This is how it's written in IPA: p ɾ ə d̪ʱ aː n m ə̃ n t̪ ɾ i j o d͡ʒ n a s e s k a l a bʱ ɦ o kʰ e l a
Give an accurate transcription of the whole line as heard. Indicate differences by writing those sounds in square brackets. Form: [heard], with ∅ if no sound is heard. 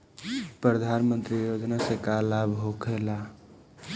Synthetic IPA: p ɾ ə d̪ʱ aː n m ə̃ n t̪ ɾ i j o d͡ʒ n a s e [∅] k a l a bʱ ɦ o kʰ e l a